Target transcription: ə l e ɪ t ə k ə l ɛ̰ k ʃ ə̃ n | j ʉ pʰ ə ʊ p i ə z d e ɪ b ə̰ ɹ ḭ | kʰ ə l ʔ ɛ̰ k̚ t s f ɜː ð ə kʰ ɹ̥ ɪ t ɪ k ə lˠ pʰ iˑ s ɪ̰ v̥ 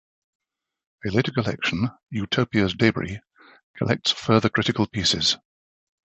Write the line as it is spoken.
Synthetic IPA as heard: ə l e ɪ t ə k ə l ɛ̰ k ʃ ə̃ n | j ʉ tʰ ə ʊ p i ə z d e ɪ b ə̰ ɹ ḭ | kʰ ə l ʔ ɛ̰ k̚ t s f ɜː ð ə kʰ ɹ̥ ɪ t ɪ k ə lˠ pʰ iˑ s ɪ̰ z̥